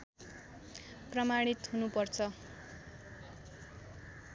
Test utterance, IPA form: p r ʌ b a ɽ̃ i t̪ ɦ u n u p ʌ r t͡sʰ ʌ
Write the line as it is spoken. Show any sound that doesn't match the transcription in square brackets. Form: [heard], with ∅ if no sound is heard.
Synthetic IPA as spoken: p r ʌ [m] a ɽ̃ i t̪ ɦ u n u p ʌ r t͡sʰ ʌ